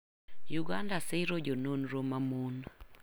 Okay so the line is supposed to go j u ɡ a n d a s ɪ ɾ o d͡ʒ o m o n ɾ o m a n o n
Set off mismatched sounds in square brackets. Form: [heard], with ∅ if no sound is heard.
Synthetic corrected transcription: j u ɡ a n d a s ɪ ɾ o d͡ʒ o [n] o n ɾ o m a [m] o n